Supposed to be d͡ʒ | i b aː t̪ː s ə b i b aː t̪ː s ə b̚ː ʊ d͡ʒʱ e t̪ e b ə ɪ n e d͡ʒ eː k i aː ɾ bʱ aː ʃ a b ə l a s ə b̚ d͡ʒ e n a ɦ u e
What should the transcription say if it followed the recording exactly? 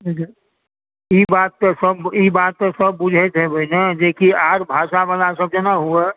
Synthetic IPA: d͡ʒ | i b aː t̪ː s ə b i b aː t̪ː s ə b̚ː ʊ d͡ʒʱ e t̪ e b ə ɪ n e d͡ʒ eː k i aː ɾ bʱ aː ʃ a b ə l a s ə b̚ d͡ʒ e n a ɦ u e